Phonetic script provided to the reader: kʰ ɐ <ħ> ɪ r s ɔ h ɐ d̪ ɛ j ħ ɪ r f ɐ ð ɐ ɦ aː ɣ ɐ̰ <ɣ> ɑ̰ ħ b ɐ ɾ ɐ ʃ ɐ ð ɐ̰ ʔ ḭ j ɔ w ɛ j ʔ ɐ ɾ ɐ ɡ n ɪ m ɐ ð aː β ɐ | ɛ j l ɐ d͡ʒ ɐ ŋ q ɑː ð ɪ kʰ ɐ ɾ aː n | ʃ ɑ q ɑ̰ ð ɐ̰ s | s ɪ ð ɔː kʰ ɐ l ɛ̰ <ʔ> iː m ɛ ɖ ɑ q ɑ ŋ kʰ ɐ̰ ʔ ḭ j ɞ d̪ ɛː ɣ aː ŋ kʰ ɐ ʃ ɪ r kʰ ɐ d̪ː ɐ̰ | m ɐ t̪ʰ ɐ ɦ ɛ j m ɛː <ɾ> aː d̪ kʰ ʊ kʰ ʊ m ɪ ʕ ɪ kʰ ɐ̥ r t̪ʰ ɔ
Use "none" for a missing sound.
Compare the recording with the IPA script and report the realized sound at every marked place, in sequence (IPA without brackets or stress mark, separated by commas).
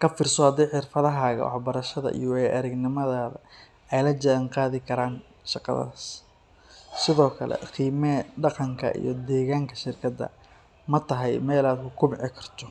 f, w, q, l